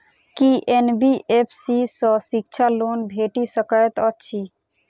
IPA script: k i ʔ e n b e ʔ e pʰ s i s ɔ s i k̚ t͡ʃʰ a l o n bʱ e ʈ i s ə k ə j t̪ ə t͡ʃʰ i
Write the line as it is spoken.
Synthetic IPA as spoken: k i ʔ e n b i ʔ e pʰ s i s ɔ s i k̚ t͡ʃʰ a l o n bʱ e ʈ i s ə k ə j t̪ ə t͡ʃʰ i